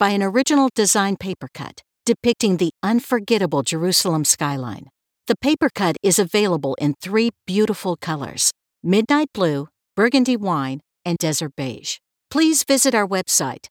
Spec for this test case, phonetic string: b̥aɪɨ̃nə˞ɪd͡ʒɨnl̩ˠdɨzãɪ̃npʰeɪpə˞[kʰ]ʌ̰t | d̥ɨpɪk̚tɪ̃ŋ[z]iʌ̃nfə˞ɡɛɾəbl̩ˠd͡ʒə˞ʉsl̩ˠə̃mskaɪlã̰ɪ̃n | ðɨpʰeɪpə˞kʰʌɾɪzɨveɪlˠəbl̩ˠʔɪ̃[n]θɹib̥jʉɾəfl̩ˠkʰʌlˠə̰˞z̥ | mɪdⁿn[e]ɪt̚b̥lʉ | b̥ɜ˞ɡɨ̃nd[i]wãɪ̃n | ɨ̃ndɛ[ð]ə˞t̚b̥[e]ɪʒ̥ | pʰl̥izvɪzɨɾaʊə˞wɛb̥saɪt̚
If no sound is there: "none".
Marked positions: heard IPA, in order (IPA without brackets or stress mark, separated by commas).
kʰ, ð, n, a, i, z, e